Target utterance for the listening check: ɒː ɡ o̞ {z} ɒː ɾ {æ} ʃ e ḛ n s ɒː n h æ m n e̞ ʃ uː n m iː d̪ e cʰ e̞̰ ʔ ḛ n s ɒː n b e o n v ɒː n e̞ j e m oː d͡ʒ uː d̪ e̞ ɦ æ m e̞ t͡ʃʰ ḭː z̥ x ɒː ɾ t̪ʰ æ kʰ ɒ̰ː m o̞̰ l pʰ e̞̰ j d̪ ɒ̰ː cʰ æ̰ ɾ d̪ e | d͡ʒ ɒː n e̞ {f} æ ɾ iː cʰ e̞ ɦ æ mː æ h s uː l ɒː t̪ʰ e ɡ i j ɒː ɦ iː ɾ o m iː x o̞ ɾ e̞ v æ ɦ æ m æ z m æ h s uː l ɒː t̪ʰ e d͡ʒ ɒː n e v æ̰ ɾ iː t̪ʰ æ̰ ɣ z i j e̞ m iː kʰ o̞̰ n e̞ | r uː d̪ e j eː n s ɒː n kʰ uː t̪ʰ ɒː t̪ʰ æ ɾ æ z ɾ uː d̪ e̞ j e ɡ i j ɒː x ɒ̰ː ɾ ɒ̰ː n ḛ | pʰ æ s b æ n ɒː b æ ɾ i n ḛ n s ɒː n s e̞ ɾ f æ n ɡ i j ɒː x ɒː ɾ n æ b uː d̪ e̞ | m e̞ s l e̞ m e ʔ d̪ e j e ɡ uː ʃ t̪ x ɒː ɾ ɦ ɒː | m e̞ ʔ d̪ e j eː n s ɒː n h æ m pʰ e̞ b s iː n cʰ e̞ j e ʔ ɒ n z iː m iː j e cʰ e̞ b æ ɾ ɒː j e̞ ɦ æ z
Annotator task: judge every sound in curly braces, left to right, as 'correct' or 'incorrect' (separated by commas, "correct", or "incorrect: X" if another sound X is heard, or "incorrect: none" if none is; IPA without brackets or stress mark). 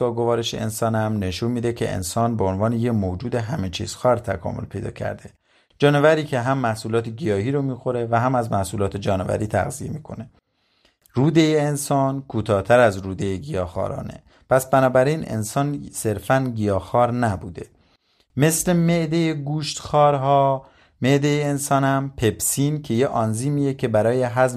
incorrect: v, incorrect: e, incorrect: v